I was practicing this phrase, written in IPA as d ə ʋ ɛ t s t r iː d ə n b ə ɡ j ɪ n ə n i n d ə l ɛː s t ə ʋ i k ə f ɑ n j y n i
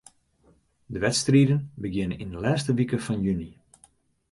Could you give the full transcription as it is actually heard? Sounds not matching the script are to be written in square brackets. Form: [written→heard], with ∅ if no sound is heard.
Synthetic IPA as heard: d ə ʋ ɛ t s t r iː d ə n b ə ɡ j ɪ n ə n i n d ə l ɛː s t ə ʋ i k ə f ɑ n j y n i